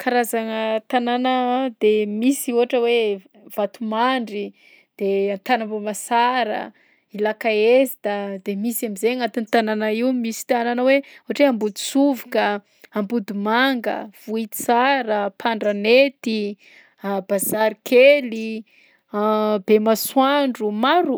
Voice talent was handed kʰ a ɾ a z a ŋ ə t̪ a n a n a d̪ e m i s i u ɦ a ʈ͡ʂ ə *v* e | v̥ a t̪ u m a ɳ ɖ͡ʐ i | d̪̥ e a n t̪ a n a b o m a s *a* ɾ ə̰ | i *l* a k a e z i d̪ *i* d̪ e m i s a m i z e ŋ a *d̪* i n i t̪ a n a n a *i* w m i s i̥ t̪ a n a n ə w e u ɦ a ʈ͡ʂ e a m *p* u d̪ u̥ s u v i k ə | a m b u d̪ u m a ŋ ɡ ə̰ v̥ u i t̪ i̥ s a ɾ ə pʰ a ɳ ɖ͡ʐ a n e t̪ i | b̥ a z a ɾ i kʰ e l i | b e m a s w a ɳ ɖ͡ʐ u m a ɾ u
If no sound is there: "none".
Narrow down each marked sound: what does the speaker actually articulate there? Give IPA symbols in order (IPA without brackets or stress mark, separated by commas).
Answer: w, a, l, a, t̪, i, b